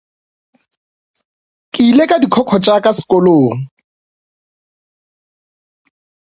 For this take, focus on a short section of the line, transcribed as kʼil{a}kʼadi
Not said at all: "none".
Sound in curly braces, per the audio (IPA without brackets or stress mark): e